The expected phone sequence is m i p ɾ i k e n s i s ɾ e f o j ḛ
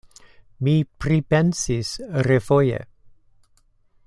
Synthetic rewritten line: m i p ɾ i p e n s i s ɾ e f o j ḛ